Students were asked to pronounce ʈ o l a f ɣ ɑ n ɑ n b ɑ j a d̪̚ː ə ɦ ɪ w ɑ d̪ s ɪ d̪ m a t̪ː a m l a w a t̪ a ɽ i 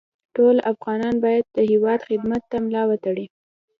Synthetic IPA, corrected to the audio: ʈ o l a f ɣ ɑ n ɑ n b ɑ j a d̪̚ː ə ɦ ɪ w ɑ d̪ x ɪ d̪ m a t̪ː a m l ɑ w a t̪ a ɽ i